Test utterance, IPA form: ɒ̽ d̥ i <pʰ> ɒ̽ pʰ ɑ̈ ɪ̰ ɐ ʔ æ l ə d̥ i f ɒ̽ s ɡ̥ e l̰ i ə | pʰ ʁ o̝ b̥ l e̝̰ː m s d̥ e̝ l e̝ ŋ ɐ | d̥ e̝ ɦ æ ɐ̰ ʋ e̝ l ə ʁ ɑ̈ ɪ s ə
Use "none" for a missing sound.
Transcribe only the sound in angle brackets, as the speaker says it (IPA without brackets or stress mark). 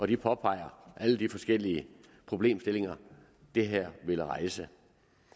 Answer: pʰ